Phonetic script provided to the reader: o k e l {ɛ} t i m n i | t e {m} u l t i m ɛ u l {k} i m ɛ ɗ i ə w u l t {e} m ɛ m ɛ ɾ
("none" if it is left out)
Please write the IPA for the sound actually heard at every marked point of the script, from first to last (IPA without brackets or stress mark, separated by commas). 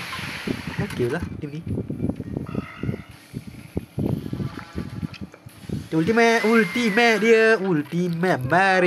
a, none, t, i